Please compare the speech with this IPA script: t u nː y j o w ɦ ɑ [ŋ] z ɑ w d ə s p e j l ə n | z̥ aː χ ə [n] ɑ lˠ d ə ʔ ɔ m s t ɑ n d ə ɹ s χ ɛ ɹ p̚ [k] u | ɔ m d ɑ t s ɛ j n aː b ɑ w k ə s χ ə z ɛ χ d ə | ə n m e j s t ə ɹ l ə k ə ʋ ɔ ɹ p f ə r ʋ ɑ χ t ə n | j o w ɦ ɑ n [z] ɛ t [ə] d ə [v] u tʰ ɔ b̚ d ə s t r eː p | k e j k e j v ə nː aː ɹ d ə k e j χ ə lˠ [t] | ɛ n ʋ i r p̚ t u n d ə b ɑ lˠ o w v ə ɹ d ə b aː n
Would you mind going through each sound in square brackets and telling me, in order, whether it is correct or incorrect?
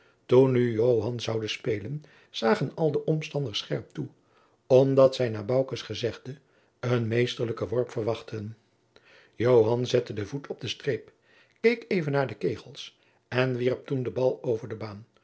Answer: incorrect, correct, incorrect, correct, correct, correct, incorrect

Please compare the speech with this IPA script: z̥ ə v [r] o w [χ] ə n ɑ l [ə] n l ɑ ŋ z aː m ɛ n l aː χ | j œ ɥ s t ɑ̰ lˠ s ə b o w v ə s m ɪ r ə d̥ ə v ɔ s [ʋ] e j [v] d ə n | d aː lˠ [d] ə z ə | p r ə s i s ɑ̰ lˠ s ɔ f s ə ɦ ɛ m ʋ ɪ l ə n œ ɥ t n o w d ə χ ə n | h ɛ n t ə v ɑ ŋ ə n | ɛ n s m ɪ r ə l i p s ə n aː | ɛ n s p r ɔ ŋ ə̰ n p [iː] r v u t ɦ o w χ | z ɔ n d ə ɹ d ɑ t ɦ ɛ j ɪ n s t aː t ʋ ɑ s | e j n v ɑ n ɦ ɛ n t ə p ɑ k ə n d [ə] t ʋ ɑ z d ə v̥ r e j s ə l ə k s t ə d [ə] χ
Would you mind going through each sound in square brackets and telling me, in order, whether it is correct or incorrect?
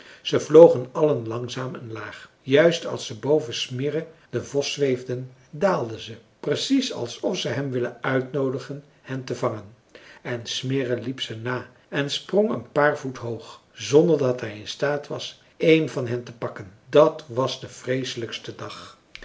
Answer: incorrect, correct, correct, correct, correct, correct, incorrect, incorrect, incorrect

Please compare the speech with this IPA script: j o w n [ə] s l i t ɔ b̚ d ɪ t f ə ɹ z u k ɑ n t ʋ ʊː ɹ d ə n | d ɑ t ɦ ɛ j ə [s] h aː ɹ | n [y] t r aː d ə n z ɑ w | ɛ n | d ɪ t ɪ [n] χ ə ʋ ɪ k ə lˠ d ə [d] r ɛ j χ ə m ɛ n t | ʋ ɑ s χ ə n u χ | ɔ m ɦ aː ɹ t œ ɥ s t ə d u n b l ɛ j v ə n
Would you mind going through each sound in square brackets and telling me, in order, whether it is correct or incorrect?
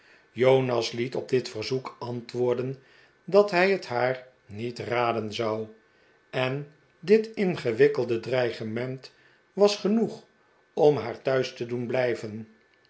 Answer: incorrect, incorrect, incorrect, correct, correct

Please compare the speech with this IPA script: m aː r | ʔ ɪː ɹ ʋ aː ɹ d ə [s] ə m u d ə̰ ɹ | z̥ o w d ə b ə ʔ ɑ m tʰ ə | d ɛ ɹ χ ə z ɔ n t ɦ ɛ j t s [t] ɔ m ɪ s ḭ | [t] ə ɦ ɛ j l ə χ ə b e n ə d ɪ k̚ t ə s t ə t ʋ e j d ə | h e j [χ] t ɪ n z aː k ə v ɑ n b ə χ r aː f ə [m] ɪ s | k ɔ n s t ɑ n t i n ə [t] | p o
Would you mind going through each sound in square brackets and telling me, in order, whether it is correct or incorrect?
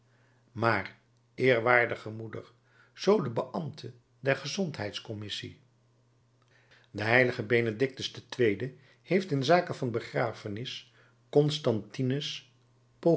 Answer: incorrect, incorrect, incorrect, incorrect, incorrect, incorrect

